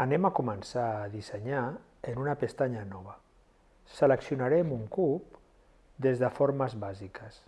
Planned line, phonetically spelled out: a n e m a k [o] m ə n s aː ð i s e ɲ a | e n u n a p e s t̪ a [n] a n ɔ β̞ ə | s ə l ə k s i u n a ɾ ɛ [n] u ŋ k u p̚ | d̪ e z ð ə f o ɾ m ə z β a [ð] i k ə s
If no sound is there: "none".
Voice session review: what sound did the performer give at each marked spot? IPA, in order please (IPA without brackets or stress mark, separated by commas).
u, ɲ, m, z